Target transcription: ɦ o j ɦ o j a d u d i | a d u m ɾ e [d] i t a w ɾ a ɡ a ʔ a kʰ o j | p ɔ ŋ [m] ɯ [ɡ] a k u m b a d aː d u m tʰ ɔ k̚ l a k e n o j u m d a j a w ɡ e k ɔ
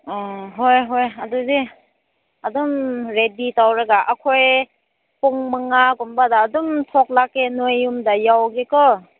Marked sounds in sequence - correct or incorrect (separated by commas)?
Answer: correct, correct, incorrect